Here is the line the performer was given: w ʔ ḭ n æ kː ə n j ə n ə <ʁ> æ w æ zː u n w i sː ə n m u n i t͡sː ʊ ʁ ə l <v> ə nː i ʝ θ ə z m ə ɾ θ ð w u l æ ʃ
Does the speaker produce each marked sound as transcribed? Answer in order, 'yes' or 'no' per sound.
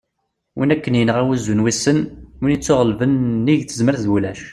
yes, yes

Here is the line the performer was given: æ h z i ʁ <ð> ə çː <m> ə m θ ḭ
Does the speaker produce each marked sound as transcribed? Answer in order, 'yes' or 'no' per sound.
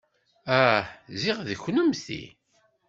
yes, no

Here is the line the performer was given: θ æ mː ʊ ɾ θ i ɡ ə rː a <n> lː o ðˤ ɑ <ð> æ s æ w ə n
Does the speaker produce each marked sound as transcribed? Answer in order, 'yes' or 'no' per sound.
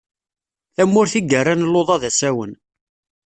yes, yes

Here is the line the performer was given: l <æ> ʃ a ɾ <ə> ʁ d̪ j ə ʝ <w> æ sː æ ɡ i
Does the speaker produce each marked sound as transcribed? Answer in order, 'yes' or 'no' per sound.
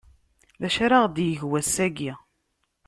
yes, no, yes

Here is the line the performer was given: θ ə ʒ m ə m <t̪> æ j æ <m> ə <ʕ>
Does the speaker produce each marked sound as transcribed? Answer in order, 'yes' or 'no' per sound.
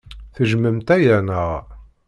yes, no, no

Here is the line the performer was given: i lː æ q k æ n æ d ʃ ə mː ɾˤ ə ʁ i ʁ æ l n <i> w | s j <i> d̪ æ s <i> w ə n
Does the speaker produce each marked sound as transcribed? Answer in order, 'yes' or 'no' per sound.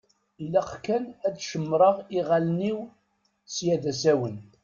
yes, no, no

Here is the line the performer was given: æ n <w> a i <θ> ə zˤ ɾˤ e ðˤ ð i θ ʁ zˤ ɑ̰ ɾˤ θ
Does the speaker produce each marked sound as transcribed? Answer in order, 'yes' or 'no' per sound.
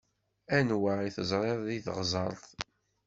yes, yes

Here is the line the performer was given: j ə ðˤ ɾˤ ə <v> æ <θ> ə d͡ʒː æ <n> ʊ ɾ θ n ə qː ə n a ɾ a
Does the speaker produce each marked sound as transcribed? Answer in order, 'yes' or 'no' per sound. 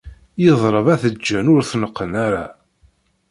yes, yes, yes

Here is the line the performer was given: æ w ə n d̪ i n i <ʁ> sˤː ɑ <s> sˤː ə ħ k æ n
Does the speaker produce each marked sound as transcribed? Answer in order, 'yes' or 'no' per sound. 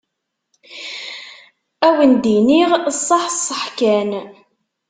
yes, no

